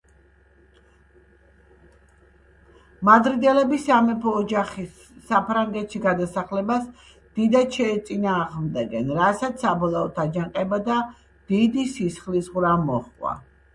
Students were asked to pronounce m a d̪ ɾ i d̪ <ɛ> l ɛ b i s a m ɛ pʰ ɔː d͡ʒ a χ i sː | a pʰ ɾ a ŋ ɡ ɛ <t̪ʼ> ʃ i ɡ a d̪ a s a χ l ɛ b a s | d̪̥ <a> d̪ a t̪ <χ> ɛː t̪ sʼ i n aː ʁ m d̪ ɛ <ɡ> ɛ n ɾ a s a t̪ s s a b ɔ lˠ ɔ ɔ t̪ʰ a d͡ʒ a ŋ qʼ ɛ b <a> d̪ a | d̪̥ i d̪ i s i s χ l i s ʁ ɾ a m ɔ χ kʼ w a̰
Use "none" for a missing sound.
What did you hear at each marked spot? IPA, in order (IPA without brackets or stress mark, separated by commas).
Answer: ɛ, t̪, i, ʃ, ɡ, a